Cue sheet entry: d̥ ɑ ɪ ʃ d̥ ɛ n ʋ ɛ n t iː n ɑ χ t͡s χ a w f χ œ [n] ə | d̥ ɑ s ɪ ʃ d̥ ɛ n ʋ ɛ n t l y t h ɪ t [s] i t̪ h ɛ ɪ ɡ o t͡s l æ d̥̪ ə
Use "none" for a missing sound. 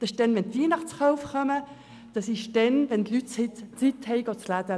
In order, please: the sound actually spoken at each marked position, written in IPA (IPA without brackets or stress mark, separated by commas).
m, t͡s